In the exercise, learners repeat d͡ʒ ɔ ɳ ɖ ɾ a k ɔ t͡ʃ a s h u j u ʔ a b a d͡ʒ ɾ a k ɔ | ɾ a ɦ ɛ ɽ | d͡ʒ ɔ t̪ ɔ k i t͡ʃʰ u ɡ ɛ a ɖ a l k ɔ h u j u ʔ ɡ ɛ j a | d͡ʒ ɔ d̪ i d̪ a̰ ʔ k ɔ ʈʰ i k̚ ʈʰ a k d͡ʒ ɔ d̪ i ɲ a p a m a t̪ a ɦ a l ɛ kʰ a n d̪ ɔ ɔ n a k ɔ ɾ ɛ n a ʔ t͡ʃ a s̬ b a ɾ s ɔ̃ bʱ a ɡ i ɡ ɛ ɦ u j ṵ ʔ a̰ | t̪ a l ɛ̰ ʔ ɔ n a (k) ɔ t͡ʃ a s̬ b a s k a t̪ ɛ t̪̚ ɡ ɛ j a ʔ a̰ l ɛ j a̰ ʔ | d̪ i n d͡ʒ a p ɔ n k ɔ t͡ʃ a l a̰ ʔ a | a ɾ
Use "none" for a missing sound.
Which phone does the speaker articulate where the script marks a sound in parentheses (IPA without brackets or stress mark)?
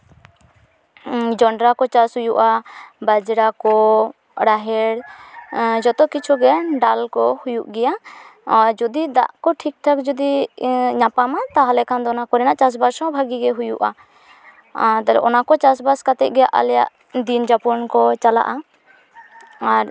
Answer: k